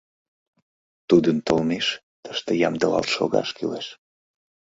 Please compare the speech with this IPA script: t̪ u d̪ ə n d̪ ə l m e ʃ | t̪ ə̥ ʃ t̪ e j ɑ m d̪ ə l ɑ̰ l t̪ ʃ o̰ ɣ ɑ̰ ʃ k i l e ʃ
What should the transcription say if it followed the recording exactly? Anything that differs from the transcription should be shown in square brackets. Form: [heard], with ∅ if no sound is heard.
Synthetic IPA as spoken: t̪ u d̪ ə n [t̪] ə l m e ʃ | t̪ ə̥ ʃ t̪ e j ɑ m d̪ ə l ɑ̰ l t̪ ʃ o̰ ɣ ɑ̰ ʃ k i l e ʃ